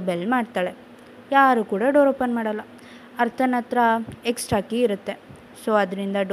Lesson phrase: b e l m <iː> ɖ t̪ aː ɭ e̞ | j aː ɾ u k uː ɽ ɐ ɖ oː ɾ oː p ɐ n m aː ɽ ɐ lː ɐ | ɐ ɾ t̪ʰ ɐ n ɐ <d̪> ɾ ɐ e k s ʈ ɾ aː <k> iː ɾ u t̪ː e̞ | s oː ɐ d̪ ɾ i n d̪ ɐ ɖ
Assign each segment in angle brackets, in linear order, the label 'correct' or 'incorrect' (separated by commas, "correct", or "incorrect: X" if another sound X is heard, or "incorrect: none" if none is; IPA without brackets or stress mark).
incorrect: aː, incorrect: t̪, correct